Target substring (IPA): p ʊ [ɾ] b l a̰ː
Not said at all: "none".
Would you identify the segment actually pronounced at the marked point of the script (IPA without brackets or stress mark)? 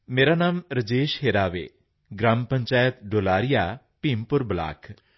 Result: ɾ